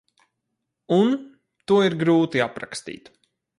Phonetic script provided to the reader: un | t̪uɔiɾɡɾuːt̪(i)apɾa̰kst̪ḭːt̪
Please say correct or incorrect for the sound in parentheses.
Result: correct